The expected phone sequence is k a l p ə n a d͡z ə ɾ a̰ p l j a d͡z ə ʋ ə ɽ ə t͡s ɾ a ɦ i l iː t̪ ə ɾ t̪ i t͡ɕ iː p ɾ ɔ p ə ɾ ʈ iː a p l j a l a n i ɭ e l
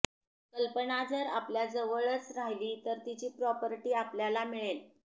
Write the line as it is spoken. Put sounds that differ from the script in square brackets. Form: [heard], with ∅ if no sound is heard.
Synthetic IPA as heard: k [ə] l p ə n a d͡z ə ɾ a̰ p l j a d͡z ə ʋ ə [ɭ] ə t͡s ɾ a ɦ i l iː t̪ ə ɾ t̪ i t͡ɕ iː p ɾ ɔ p ə ɾ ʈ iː a p l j a l a [m] i ɭ e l